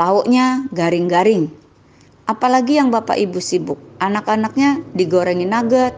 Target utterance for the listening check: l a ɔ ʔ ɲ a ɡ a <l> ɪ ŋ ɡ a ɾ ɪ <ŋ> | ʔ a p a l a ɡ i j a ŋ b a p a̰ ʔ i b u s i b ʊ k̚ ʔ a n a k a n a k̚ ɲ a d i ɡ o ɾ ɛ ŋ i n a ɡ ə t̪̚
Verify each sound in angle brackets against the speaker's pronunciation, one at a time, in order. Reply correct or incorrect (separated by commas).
incorrect, correct